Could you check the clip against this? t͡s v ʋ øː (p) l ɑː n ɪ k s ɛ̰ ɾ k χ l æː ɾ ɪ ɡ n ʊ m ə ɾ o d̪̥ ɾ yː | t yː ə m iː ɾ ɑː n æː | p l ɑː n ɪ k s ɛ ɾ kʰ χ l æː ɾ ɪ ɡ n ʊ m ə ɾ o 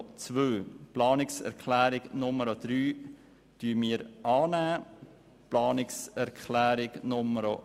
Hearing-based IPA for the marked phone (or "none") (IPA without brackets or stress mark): p